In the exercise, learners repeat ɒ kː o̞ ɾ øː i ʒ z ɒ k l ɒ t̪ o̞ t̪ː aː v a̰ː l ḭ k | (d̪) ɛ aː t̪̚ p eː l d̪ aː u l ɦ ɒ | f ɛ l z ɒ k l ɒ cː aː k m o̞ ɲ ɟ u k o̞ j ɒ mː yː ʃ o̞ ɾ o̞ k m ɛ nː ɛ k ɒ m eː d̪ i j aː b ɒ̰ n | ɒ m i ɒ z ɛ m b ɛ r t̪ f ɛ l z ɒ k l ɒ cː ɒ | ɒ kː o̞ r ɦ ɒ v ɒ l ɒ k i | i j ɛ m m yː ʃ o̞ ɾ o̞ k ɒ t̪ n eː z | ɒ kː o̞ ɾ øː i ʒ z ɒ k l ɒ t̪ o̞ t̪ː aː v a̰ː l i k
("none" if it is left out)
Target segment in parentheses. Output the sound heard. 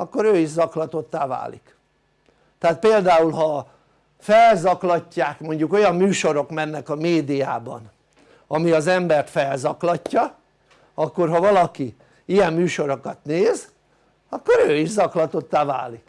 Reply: t̪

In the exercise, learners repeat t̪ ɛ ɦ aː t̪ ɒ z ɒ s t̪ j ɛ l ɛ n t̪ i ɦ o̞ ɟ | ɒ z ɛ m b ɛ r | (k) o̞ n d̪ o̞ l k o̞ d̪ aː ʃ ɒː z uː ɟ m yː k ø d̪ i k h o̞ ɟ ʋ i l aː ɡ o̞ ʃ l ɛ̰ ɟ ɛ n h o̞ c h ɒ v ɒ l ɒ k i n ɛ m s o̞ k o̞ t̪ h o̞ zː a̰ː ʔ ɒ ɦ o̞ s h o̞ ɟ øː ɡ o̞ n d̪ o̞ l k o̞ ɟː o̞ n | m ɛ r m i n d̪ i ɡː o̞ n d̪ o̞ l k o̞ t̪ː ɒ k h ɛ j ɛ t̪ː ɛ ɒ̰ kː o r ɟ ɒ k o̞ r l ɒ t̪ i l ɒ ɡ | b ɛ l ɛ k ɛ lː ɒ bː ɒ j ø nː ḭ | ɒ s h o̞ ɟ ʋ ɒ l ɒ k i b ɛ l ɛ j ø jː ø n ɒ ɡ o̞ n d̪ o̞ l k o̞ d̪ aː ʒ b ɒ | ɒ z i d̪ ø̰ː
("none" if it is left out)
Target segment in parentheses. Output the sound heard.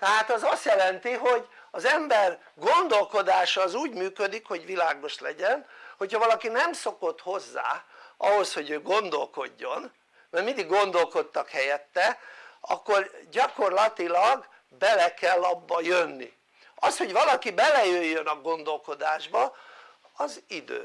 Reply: ɡ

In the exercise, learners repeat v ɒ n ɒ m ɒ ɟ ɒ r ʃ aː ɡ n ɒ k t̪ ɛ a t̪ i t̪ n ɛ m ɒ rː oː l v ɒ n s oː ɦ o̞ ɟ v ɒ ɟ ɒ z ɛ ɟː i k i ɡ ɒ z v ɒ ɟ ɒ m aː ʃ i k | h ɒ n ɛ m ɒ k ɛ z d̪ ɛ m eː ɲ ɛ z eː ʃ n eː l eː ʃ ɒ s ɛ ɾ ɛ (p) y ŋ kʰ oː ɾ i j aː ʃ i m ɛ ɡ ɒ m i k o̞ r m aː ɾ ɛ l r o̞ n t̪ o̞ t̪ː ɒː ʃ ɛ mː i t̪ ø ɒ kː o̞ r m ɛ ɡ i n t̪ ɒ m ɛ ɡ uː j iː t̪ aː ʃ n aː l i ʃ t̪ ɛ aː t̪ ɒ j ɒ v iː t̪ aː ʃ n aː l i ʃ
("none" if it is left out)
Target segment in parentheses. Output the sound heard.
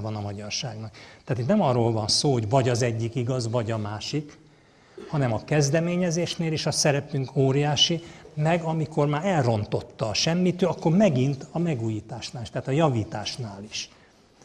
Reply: p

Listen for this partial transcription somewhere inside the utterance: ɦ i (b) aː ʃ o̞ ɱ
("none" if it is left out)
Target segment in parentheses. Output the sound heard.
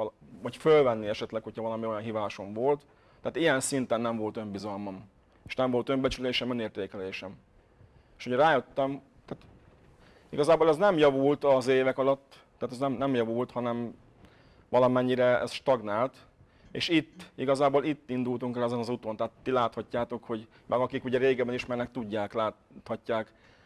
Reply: v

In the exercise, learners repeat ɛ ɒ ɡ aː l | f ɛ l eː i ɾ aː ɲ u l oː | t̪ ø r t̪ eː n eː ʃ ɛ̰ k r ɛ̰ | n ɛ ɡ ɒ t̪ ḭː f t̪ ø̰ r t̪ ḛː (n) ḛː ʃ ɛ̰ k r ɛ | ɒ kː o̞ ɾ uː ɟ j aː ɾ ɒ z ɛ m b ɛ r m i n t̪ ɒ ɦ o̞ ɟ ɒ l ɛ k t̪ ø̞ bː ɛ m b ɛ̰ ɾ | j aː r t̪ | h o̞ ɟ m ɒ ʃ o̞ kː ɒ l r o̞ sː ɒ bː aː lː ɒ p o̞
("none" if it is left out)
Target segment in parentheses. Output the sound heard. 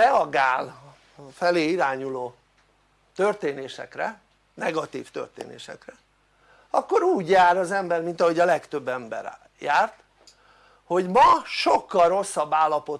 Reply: n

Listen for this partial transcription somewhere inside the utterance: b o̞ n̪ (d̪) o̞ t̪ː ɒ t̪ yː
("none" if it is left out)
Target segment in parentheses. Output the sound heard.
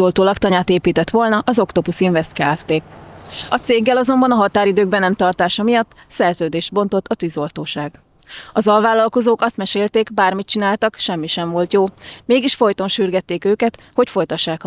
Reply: t̪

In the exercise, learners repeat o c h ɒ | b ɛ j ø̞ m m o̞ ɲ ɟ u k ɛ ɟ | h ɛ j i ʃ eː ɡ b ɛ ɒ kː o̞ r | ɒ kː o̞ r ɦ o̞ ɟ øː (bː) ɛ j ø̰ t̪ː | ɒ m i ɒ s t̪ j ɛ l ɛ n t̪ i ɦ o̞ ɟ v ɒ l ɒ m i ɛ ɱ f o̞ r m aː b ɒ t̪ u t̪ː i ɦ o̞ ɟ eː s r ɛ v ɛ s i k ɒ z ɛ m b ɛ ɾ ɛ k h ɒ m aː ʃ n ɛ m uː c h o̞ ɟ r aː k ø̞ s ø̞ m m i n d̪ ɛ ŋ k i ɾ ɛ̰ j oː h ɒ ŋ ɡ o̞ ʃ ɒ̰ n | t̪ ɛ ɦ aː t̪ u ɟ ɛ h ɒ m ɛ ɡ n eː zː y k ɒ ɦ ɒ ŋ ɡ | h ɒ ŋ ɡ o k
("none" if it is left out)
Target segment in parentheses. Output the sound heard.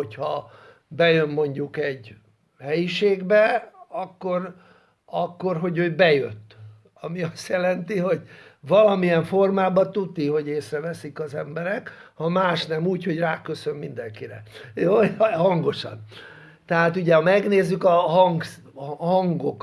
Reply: b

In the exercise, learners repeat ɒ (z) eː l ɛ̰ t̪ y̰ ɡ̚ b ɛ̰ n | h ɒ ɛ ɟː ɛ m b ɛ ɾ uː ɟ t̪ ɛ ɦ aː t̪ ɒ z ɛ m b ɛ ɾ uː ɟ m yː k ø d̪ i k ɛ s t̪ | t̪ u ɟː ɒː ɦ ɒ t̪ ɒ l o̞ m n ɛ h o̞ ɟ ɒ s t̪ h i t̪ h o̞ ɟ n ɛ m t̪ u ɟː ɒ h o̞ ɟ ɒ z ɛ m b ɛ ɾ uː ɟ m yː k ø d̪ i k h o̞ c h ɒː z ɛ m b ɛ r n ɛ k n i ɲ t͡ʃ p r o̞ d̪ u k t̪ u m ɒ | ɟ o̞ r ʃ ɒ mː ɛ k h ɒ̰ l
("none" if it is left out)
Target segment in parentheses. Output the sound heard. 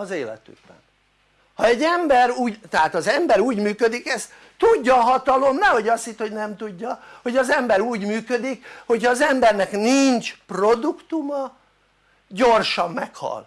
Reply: z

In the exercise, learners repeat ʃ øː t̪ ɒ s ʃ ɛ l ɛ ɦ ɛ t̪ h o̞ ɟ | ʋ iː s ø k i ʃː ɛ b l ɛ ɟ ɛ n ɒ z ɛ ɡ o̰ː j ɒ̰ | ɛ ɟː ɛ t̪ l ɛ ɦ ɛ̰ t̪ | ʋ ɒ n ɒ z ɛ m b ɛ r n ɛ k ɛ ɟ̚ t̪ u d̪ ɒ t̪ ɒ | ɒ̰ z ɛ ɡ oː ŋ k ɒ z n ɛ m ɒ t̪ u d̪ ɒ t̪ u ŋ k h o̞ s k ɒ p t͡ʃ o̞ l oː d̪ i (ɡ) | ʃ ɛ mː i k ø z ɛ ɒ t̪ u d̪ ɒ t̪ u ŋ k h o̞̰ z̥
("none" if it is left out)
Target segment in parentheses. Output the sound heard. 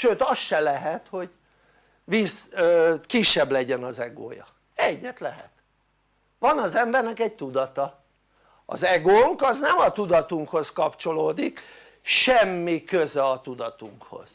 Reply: k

